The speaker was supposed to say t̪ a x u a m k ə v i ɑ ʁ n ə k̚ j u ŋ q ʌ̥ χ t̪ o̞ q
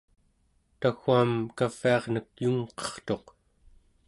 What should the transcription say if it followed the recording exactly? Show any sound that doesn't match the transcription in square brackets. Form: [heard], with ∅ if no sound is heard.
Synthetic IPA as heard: t̪ a x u a m k [a] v i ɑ ʁ n ə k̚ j u ŋ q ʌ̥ χ t̪ o̞ q